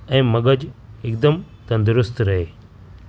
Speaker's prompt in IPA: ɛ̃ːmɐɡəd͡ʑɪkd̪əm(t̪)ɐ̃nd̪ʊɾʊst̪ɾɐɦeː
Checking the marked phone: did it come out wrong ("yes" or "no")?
no